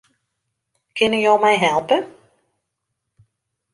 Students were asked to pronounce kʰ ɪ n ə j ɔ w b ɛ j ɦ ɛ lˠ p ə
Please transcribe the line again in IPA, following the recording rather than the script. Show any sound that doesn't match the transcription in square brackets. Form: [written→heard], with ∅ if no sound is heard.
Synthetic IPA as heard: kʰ ɪ n ə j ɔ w [b→m] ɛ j ɦ ɛ lˠ p ə